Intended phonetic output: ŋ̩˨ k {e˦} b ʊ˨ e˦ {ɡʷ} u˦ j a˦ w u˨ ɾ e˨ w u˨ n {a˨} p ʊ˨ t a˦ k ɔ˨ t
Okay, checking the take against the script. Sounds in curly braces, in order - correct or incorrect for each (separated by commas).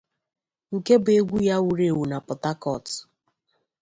correct, correct, correct